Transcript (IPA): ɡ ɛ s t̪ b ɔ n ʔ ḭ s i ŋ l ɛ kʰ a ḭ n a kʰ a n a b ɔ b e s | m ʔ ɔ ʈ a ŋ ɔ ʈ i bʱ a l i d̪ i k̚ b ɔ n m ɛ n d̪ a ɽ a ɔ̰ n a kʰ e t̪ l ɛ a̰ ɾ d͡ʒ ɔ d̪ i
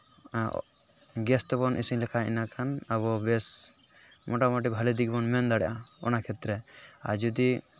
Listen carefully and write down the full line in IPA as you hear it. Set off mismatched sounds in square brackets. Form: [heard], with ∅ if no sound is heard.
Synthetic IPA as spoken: ɡ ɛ s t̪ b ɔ n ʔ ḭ s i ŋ l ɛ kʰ a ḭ n a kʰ a n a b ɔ b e s | m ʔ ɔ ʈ a [m] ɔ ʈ i bʱ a l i d̪ i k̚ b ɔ n m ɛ n d̪ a ɽ a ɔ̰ n a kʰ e t̪ [ɾ] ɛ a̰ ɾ d͡ʒ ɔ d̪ i